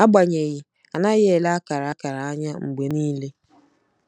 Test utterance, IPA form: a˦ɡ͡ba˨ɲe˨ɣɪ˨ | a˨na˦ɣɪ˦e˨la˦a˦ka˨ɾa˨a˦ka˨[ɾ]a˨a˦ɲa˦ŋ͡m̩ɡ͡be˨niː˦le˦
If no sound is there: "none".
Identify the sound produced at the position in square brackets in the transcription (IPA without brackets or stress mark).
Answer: ɾ